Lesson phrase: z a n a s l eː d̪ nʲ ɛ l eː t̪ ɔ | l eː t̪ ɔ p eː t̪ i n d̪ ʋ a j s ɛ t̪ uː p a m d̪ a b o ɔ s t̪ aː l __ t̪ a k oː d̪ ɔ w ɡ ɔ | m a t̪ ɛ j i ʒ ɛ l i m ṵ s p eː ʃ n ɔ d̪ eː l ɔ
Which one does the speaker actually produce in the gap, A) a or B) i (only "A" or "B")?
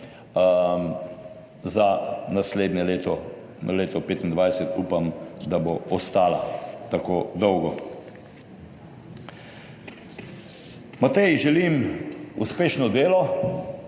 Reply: A